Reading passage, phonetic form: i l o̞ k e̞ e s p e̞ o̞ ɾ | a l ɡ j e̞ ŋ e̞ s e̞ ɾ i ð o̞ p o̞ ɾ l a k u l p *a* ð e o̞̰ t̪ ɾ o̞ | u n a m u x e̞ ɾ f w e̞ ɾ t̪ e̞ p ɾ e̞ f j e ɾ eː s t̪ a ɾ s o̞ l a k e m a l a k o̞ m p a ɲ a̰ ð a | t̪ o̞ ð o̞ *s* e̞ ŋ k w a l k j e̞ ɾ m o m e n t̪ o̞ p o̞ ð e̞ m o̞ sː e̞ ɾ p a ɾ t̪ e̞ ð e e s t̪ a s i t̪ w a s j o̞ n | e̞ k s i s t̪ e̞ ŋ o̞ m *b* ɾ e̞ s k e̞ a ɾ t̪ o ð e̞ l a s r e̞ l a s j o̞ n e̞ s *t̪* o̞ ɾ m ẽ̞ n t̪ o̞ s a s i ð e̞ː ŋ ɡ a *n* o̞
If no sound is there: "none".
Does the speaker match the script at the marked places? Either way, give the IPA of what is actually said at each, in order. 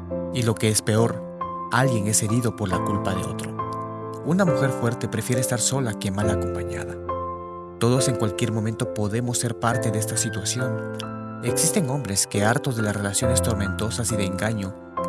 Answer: a, s, b, t̪, ɲ

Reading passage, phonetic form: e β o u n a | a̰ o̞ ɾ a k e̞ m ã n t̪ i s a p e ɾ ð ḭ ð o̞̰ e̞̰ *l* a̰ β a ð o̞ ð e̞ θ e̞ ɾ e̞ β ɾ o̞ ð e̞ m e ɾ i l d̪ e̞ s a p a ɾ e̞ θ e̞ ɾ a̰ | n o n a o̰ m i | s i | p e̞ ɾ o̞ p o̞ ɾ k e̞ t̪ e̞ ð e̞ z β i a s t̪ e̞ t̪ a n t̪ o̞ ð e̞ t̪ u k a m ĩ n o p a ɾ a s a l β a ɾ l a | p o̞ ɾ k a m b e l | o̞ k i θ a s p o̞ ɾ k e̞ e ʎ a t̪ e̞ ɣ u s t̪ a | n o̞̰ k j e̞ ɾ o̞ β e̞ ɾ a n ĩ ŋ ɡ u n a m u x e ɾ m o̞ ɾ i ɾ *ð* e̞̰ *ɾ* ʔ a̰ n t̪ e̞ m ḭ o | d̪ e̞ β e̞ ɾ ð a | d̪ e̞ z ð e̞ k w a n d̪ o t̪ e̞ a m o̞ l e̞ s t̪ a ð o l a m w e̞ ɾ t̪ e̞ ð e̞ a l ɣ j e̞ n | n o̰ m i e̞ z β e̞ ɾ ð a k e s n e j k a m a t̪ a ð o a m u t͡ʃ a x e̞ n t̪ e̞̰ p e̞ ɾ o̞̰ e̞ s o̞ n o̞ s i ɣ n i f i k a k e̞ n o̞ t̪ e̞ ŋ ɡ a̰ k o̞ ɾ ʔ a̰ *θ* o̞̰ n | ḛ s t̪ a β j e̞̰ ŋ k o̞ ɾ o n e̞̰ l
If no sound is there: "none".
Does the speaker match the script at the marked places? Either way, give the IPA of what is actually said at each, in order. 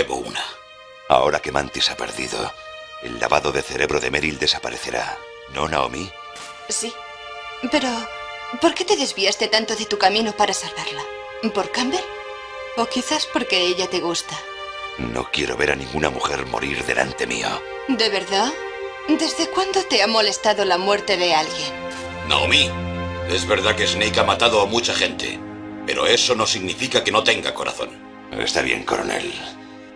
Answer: lː, ð, l, θ

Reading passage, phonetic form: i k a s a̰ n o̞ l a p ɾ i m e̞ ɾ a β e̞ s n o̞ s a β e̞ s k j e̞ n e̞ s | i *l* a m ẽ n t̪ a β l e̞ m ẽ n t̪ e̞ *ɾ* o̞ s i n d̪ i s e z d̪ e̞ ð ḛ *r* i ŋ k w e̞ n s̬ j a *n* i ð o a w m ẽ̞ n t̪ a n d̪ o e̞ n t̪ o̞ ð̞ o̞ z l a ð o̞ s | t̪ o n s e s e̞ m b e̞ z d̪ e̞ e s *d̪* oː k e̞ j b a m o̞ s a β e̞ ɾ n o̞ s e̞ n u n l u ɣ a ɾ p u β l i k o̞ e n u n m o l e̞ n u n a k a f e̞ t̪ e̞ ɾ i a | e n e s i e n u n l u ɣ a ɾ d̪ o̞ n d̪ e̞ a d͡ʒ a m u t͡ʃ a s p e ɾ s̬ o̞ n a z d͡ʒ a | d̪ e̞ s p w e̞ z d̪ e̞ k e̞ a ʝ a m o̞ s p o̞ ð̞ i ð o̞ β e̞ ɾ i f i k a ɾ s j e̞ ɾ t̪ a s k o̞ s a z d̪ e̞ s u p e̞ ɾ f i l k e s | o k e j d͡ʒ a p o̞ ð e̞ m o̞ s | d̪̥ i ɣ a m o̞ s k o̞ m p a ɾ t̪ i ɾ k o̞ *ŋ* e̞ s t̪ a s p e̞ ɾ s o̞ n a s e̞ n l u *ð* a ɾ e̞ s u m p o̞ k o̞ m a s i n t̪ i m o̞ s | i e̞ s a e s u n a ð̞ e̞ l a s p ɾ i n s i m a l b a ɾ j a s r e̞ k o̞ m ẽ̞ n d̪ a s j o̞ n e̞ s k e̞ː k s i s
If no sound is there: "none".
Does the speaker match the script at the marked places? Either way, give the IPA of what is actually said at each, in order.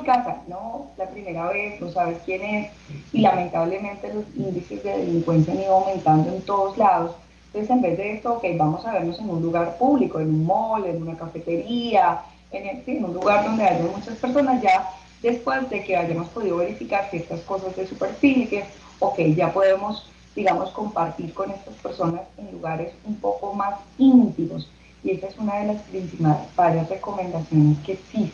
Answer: l, l, l, n, t̪, n, ɣ

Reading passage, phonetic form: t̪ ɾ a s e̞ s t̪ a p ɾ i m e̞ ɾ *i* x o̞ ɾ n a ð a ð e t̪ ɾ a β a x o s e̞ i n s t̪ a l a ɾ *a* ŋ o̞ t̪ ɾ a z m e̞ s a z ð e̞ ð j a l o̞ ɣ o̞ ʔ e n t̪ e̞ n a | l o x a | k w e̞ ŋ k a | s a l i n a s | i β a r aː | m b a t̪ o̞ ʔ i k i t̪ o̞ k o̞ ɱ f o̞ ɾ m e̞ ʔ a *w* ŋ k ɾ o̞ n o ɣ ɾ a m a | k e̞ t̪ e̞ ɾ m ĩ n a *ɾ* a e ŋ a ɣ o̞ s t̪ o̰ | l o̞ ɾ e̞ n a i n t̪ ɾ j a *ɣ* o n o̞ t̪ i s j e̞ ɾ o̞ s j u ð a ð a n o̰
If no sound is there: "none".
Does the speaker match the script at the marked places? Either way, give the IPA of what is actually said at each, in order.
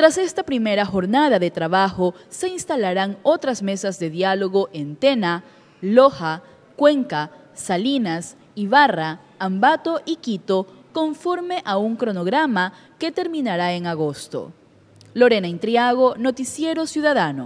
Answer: a, a, u, ɾ, ɣ

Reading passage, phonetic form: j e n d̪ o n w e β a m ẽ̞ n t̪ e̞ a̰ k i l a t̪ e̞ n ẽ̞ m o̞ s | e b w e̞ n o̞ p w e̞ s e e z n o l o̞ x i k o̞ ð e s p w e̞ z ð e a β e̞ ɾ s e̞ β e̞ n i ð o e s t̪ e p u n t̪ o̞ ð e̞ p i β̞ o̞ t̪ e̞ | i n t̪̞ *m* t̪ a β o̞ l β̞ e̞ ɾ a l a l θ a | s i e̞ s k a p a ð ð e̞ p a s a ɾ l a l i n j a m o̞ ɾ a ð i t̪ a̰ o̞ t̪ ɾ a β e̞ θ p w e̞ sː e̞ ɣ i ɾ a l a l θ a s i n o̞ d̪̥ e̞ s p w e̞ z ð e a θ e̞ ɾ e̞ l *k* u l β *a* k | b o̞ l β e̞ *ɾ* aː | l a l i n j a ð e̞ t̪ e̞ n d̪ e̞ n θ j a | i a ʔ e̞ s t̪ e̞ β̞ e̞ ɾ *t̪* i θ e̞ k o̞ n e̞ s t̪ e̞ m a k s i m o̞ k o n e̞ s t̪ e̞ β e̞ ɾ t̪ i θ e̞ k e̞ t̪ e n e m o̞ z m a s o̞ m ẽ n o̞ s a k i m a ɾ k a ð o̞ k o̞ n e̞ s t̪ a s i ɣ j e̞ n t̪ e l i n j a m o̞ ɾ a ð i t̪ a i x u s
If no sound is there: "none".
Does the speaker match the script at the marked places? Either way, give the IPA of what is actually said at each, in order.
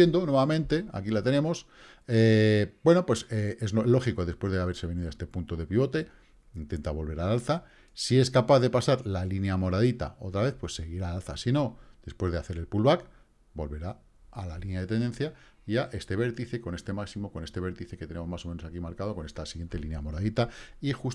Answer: n, p, a, ɾ, t̪

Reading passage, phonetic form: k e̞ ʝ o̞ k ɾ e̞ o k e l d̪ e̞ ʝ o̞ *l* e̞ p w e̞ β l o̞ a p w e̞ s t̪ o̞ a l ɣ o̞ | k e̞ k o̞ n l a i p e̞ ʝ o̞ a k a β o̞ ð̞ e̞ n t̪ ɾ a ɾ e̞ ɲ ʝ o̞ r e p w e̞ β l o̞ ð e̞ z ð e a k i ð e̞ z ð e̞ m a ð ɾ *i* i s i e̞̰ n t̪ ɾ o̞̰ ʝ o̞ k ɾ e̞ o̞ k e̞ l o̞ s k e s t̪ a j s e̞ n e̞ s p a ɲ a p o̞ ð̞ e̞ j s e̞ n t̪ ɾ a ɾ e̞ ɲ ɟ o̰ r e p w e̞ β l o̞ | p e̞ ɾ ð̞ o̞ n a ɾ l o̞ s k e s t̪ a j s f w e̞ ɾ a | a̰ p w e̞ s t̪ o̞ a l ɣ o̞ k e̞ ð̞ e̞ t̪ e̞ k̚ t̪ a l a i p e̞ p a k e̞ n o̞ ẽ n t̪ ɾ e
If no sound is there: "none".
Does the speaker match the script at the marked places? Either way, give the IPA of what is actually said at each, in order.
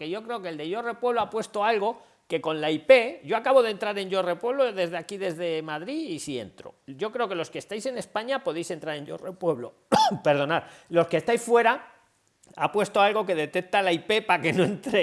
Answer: r, i

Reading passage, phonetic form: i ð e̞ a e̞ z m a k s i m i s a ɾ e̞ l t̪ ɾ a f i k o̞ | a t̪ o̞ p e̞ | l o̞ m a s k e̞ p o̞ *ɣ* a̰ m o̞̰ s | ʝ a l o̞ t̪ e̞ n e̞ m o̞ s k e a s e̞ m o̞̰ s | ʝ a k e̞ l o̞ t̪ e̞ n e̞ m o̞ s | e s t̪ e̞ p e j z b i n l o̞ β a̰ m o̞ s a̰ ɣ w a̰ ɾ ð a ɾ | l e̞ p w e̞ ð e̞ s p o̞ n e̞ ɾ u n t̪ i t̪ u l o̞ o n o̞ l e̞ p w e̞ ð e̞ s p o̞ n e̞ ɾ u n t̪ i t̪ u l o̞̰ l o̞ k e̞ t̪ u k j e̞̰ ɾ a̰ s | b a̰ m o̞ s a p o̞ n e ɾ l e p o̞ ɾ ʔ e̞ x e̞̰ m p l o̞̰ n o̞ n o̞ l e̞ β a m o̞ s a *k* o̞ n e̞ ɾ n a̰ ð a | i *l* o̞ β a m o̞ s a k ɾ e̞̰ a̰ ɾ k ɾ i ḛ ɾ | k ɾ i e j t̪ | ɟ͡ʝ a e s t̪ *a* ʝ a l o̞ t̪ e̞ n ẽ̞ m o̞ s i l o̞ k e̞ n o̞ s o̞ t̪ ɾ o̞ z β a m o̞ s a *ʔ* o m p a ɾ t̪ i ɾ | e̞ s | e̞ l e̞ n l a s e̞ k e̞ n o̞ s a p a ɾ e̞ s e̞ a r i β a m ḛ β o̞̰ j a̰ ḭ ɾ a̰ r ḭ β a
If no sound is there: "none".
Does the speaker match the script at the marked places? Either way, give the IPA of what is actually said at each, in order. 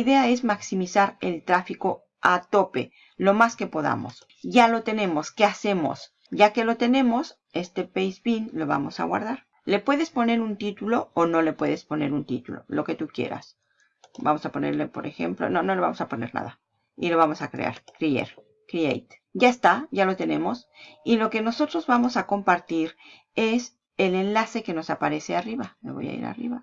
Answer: ð, p, l, a, k

